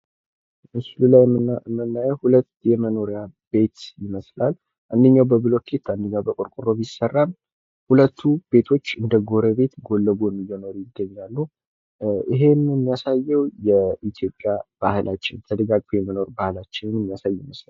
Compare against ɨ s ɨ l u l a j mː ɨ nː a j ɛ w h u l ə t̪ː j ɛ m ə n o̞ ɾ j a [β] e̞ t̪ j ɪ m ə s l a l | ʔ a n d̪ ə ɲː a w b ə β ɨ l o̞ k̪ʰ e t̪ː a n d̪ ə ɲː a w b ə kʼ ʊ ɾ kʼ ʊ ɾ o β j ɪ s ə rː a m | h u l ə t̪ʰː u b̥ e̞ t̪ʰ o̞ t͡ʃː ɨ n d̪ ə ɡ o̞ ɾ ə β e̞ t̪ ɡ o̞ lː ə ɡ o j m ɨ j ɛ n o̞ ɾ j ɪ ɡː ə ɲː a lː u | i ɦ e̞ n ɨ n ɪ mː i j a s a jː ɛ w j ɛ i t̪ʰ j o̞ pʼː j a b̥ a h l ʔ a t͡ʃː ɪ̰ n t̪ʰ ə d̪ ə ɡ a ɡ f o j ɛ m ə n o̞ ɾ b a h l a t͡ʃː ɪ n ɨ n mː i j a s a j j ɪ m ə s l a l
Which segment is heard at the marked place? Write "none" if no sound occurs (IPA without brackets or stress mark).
b